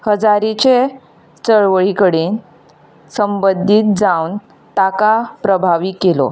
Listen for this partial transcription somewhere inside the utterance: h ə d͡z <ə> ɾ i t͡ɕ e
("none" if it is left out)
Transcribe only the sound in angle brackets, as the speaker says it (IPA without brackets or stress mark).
a